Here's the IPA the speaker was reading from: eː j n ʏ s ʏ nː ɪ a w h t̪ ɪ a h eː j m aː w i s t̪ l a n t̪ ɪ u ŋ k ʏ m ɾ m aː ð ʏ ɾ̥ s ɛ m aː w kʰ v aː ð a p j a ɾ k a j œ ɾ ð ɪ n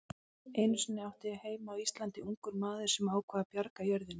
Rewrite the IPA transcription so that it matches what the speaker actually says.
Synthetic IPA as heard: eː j n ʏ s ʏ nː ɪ a w h t̪ ɪ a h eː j m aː w i s t̪ l a n t̪ ɪ u ŋ k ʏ ɾ m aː ð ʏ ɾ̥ s ɛ m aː w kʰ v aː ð a p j a ɾ k a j œ ɾ ð ɪ n